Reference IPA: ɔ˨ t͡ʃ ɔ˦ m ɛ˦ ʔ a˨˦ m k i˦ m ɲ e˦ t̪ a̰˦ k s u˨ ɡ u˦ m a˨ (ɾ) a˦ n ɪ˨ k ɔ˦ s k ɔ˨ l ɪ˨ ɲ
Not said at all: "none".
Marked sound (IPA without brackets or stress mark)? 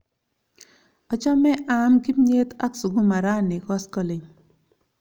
ɾ